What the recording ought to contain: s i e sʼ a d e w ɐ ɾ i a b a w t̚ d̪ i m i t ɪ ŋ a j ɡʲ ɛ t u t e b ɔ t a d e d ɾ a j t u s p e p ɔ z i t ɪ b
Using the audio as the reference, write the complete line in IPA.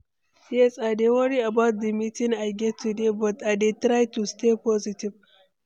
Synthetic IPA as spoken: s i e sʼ a d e w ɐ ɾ i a b a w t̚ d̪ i m i t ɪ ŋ a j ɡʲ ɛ t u d e b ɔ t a d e t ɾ a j t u s t e p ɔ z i t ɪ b